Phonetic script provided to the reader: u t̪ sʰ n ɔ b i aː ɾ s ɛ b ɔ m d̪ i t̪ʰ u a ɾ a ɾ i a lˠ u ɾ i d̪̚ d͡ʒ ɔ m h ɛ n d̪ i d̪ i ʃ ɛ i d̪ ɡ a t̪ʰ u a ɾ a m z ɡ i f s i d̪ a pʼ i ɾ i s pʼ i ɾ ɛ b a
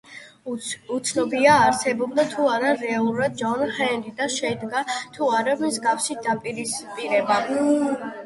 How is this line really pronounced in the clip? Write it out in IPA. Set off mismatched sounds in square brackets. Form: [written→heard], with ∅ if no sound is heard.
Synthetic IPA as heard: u t̪ sʰ n ɔ b i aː ɾ s ɛ b ɔ [m→b] d̪ [i→a] t̪ʰ u a ɾ a ɾ [i→ɛ] a lˠ u ɾ [i→a] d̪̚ d͡ʒ ɔ [m→n] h ɛ n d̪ i d̪ [i→a] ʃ ɛ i d̪ ɡ a t̪ʰ u a ɾ a m z ɡ [i→a] f s i d̪ a pʼ i ɾ i s pʼ i ɾ ɛ b a